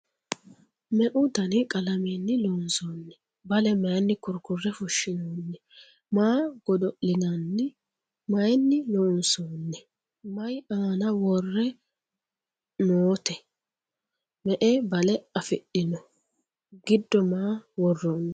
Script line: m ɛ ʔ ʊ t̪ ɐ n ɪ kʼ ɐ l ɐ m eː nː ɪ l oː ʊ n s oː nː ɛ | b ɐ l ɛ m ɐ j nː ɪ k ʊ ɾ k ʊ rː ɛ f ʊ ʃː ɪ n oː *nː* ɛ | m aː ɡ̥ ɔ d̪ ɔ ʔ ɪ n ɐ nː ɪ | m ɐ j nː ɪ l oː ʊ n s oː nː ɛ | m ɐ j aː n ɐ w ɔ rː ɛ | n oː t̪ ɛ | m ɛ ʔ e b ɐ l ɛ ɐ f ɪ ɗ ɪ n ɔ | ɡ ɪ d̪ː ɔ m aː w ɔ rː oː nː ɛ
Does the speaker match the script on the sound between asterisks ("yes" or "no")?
yes